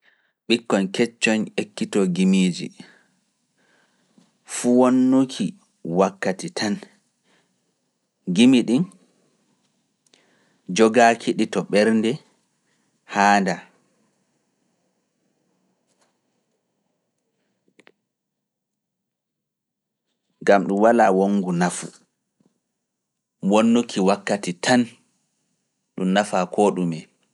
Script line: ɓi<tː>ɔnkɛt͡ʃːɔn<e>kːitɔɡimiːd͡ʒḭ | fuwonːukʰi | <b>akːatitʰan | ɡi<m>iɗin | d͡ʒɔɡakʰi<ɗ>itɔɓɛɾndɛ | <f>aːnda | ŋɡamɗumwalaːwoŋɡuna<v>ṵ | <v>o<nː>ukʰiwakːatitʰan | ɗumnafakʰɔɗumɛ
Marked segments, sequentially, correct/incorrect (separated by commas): incorrect, correct, incorrect, correct, correct, incorrect, incorrect, incorrect, correct